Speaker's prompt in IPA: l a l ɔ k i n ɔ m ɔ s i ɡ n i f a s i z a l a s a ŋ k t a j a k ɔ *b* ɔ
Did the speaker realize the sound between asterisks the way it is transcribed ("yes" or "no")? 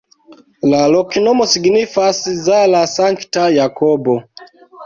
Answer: yes